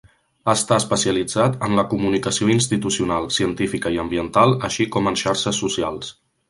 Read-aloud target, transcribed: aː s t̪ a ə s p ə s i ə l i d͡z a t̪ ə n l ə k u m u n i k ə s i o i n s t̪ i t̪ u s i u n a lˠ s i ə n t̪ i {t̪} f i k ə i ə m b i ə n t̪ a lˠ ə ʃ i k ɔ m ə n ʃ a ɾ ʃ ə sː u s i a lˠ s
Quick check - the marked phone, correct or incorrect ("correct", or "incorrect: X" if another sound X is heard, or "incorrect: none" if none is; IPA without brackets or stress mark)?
incorrect: none